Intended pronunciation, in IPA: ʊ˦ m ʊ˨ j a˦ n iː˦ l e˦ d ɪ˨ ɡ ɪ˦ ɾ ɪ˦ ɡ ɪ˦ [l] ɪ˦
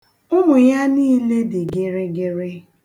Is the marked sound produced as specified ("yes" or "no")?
no